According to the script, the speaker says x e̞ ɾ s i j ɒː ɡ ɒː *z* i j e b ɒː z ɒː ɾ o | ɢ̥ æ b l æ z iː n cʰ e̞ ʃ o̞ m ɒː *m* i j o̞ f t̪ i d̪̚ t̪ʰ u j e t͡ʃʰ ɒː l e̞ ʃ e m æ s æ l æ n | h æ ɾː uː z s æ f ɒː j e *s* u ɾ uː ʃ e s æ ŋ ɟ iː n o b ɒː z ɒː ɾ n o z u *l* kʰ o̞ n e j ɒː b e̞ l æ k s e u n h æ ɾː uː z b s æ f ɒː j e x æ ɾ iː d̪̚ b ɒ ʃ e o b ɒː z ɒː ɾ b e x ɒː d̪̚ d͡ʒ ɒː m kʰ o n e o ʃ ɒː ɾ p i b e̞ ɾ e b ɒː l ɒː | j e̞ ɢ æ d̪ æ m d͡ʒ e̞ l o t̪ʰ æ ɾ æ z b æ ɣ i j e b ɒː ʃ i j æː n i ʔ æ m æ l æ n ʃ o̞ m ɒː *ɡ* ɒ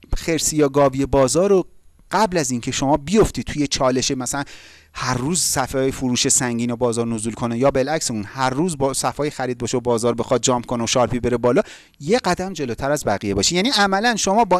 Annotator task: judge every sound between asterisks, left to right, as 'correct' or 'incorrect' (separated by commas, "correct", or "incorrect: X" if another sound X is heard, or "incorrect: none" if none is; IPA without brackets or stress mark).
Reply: incorrect: v, incorrect: b, incorrect: f, correct, incorrect: b